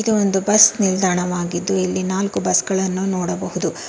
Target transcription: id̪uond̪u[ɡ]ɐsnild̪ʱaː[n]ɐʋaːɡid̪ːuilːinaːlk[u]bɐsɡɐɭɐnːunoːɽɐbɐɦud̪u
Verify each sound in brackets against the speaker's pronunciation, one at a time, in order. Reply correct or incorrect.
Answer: incorrect, incorrect, correct

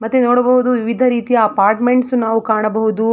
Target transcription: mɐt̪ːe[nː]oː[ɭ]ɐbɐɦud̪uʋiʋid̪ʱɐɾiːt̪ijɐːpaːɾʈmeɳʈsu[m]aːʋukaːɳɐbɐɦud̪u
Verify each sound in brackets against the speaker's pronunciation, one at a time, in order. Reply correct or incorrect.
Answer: incorrect, incorrect, incorrect

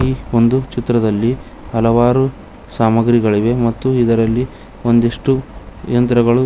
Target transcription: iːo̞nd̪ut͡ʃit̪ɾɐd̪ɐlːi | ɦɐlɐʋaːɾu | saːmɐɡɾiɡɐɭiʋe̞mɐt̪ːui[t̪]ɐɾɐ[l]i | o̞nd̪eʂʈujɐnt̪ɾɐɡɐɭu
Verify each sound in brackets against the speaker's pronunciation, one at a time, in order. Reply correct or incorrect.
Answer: incorrect, incorrect

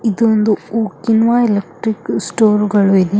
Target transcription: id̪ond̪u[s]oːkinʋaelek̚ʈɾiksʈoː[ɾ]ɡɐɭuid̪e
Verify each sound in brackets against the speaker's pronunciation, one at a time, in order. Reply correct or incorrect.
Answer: incorrect, correct

